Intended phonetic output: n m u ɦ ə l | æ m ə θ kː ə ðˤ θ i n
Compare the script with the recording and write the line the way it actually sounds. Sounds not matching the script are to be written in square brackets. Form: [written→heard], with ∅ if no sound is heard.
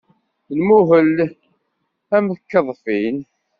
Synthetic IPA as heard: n m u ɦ ə l | æ m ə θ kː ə ðˤ [θ→f] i n